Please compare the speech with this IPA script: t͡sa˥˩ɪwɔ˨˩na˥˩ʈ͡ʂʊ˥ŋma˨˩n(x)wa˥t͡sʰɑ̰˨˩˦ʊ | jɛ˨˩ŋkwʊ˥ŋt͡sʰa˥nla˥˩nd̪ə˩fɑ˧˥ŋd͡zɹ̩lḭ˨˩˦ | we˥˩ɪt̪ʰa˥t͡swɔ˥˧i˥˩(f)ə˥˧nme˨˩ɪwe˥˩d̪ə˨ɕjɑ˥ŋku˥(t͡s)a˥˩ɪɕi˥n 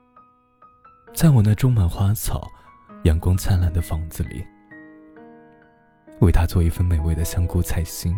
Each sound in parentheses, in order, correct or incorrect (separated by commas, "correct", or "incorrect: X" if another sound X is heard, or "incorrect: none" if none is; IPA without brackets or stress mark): correct, correct, incorrect: t͡sʰ